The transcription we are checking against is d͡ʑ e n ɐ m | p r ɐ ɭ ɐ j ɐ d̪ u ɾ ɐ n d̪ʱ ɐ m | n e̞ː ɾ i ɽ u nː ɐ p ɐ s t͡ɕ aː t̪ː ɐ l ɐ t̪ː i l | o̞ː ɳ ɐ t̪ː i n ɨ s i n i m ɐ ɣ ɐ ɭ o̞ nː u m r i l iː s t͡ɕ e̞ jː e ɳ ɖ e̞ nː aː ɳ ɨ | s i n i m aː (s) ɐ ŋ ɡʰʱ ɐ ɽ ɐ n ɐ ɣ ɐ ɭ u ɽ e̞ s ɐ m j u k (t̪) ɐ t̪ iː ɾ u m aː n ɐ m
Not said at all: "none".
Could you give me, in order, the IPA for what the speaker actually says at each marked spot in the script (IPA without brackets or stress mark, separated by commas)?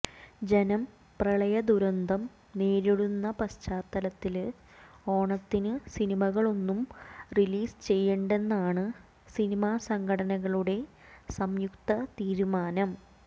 s, t̪